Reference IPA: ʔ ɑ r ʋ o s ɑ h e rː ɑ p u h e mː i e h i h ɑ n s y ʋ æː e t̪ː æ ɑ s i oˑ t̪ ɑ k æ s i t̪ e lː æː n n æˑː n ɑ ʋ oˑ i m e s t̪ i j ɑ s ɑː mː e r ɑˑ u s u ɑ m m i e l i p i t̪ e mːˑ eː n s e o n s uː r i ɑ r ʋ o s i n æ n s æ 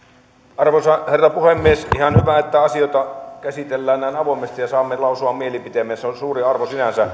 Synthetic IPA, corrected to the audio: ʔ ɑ r ʋ o s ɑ h e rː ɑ p u h e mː i e s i h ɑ n h y ʋ æ e t̪ː æ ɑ s i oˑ t̪ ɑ k æ s i t̪ e lː æː n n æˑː n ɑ ʋ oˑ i m e s t̪ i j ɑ s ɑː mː e l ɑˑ u s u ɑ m m i e l i p i t̪ e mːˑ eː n s e o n s uː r i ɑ r ʋ o s i n æ n s æ